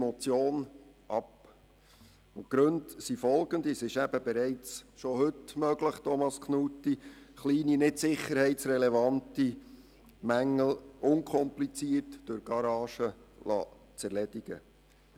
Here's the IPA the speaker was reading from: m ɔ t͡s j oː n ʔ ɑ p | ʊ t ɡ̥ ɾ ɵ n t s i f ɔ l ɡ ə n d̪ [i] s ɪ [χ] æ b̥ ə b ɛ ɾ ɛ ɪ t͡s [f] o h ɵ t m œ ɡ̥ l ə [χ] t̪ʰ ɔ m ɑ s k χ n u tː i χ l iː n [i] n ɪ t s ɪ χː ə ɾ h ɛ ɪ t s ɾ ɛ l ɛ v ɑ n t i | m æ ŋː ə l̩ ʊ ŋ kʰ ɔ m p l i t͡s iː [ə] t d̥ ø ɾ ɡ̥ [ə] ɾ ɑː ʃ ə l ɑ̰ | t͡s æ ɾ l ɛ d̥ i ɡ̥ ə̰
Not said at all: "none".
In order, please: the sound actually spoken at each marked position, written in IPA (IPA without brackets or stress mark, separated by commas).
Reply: i, ʃ, ʃ, χ, i, ə, ɑ